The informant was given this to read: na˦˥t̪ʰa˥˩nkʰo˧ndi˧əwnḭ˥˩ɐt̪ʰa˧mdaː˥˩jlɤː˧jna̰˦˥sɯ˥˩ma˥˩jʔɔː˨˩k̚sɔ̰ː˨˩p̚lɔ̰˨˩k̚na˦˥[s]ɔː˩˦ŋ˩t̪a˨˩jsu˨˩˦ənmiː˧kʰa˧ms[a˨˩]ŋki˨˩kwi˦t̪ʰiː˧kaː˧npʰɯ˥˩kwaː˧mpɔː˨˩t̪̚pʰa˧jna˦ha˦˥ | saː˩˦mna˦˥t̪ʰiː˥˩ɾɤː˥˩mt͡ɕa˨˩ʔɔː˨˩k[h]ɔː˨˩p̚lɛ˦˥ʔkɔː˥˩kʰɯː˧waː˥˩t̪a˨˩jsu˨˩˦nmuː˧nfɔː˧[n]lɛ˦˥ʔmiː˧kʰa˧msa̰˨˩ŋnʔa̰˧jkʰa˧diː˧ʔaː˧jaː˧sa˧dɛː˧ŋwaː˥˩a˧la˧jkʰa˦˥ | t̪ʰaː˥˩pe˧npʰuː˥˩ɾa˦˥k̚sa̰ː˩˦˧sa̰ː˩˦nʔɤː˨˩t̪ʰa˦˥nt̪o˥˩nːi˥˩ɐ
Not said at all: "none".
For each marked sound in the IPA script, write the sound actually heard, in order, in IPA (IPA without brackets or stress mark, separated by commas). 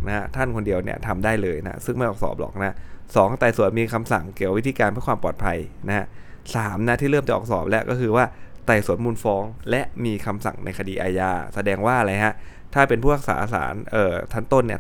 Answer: s, a˨˩, s, ŋ